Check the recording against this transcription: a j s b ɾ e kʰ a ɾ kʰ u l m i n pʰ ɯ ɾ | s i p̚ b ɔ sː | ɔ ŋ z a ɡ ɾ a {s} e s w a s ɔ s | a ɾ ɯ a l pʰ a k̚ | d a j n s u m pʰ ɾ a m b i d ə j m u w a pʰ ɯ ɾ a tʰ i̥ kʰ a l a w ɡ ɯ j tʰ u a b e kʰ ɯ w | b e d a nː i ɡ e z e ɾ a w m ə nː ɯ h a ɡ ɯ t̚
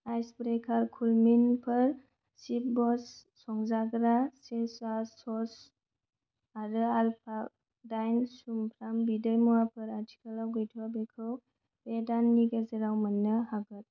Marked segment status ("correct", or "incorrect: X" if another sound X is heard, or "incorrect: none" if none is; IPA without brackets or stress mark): correct